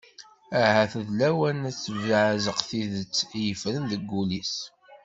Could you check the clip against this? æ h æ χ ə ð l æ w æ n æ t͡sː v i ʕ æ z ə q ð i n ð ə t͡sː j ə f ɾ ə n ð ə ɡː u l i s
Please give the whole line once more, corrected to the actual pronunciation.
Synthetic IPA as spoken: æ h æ θ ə ð l æ w æ n æ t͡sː v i ʕ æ z ə q θ i ð ə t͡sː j ə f ɾ ə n ð ə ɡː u l i s